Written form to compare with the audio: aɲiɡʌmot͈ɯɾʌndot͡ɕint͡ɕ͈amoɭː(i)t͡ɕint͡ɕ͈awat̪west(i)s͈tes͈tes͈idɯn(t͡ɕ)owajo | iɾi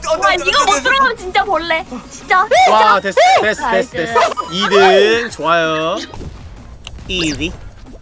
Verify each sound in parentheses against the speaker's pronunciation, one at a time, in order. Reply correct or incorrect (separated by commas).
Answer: incorrect, incorrect, correct